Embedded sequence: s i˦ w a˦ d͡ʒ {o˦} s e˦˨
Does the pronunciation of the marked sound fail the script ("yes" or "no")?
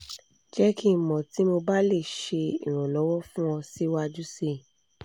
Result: yes